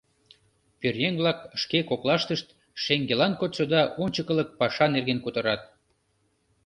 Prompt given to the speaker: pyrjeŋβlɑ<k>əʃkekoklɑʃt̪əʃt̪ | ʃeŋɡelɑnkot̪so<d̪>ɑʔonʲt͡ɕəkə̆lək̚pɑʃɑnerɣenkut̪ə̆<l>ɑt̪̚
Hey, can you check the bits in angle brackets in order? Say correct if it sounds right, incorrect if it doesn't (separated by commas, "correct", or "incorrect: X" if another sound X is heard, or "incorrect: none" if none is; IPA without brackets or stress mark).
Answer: correct, correct, incorrect: ɾ